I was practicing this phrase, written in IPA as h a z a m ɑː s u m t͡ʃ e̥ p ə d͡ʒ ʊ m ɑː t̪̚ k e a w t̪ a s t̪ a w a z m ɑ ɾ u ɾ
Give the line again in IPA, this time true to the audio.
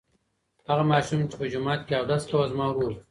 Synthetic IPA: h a ɣ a m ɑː ʃ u m t͡ʃ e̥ p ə d͡ʒ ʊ m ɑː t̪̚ k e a w d̪ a s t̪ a w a z m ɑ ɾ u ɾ